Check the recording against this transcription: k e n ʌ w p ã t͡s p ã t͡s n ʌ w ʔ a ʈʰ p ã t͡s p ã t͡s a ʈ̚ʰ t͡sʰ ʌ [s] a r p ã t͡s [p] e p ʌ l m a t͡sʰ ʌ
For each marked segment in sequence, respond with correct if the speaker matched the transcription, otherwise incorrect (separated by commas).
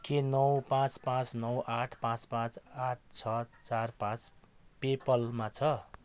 incorrect, correct